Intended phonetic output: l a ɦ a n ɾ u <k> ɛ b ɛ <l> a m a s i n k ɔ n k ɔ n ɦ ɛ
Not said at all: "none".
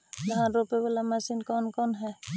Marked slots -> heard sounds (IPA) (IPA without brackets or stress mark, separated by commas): p, l